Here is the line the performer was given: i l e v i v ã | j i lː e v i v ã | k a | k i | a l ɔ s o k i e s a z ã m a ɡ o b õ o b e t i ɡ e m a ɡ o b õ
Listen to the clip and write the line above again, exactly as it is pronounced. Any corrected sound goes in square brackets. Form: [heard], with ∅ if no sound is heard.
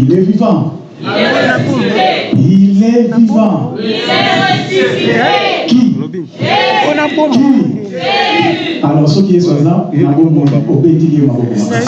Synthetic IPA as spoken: i l e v i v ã | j i [l] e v i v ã | k [i] | k i | a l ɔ s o k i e s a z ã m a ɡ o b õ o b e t i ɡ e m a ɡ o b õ